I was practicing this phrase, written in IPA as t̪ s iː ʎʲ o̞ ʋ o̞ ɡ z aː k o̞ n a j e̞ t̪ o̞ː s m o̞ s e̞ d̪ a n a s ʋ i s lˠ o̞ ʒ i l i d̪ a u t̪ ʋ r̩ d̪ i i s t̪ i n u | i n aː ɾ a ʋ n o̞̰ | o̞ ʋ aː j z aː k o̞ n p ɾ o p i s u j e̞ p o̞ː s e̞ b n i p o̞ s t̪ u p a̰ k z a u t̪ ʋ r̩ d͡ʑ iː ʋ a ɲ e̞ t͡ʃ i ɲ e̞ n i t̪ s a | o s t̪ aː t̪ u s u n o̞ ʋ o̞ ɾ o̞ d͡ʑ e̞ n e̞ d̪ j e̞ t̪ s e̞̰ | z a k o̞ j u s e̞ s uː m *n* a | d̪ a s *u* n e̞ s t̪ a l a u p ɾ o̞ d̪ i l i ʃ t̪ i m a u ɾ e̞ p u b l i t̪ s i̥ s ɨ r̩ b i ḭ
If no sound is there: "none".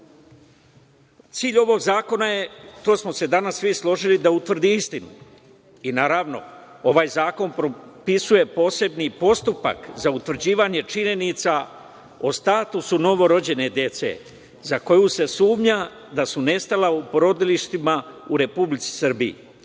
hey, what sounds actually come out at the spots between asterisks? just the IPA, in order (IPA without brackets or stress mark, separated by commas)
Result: ɲ, u